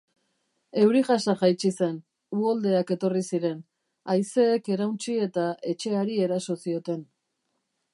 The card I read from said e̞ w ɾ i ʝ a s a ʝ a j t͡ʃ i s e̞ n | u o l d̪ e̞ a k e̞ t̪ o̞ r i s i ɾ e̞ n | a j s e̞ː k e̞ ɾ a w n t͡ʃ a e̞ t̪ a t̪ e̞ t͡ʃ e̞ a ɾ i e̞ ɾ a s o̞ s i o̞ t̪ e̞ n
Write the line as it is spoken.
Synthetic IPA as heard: e̞ w ɾ i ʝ a s a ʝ a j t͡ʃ i s e̞ n | u o l d̪ e̞ a k e̞ t̪ o̞ r i s i ɾ e̞ n | a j s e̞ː k e̞ ɾ a w n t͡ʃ i e̞ t̪ a e̞ t͡ʃ e̞ a ɾ i e̞ ɾ a s o̞ s i o̞ t̪ e̞ n